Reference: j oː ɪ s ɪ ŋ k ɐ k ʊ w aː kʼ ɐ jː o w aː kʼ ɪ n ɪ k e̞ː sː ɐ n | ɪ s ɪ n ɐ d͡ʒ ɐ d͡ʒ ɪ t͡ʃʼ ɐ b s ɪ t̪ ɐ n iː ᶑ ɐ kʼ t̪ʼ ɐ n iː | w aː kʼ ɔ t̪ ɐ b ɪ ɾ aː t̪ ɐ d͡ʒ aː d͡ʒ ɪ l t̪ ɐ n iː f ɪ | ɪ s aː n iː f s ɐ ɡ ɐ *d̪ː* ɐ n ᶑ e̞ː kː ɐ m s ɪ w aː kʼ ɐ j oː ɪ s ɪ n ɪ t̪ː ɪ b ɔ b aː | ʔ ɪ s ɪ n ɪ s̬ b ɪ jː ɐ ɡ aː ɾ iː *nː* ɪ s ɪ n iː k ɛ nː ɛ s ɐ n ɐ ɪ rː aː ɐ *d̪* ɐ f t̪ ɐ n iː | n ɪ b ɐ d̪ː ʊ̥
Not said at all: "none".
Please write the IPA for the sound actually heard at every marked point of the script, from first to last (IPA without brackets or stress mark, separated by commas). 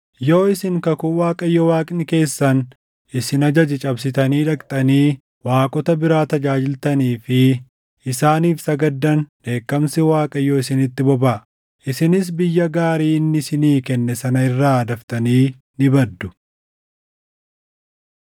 d̪ː, nː, d̪